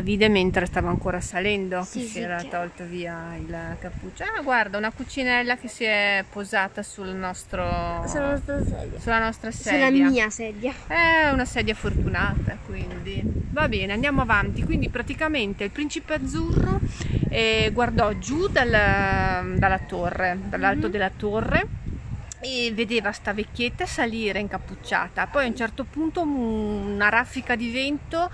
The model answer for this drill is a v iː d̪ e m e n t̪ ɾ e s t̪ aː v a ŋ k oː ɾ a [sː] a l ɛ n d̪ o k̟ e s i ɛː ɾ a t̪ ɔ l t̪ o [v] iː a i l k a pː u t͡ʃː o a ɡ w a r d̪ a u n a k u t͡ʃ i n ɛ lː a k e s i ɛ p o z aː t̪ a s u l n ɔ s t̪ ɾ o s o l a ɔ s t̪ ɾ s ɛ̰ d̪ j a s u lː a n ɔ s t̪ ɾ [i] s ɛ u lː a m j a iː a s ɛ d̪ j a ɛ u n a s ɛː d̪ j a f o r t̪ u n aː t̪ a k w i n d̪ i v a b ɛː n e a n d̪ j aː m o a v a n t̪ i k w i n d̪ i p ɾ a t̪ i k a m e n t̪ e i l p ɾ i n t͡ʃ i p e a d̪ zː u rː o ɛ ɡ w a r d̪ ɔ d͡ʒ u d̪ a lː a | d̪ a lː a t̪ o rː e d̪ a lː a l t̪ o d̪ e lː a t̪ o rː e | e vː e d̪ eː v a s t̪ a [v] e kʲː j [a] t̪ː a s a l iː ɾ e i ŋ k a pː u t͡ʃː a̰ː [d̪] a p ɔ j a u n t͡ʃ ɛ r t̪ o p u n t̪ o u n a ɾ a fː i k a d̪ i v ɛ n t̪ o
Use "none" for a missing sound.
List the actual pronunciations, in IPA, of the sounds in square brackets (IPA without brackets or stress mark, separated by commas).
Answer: s, v, a, v, e, t̪